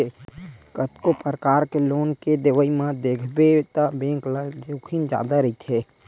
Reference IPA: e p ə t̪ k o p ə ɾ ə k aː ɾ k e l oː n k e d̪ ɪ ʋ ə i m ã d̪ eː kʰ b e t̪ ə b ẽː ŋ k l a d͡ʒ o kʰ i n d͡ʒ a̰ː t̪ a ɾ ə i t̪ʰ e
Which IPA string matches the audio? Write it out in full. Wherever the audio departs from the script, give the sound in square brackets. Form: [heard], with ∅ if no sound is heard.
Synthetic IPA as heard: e [k] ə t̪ k o p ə ɾ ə k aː ɾ k e l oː n k e d̪ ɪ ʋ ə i m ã d̪ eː kʰ b e t̪ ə b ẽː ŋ k l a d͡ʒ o kʰ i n d͡ʒ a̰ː [d̪] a ɾ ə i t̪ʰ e